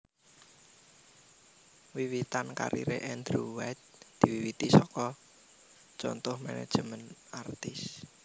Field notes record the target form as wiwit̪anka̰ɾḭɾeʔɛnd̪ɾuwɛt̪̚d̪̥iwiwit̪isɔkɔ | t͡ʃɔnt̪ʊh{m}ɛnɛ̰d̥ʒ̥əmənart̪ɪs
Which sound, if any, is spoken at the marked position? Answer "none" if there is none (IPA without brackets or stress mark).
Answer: m